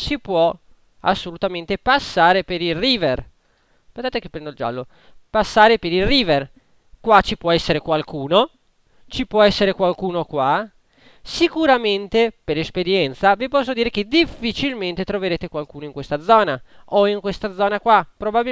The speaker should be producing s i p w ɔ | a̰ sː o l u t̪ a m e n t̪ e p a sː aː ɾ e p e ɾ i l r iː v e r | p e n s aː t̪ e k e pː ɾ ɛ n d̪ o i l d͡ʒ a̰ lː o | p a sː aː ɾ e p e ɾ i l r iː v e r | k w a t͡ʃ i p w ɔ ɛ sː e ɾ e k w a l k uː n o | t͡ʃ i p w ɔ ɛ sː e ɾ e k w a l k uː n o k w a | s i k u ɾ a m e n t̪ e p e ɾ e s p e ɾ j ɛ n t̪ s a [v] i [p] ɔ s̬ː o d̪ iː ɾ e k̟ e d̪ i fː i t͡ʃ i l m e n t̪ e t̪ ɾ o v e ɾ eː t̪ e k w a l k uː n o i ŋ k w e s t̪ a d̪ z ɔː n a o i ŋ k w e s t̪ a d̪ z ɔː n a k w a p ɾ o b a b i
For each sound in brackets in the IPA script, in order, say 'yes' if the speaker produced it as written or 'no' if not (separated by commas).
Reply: yes, yes